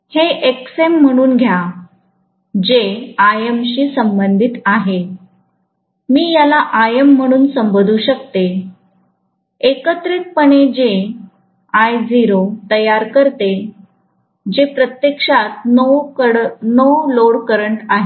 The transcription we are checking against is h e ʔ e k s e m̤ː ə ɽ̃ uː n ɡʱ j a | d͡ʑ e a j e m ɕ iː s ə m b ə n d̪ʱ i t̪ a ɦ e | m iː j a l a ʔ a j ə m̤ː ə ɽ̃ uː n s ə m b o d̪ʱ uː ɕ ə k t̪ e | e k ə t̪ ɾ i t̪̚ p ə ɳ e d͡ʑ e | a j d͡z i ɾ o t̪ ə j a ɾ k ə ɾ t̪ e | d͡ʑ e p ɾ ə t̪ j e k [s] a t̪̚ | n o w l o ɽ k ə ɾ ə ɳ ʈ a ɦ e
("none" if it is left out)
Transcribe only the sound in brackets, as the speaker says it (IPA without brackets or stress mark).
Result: ʂ